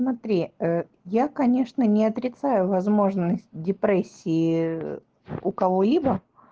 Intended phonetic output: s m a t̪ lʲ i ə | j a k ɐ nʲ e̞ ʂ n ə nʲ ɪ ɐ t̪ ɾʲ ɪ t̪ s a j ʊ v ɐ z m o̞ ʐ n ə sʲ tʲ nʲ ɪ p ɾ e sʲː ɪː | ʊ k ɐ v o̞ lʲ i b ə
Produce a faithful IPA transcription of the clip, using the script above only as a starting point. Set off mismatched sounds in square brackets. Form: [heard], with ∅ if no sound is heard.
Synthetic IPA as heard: s m [ɐ] t̪ [ɾʲ] i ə | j a k ɐ nʲ e̞ ʂ n ə nʲ ɪ ɐ t̪ ɾʲ ɪ t̪ s a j ʊ v ɐ z m o̞ ʐ n ə sʲ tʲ [dʲ] ɪ p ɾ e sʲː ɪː | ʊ k ɐ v o̞ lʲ i b ə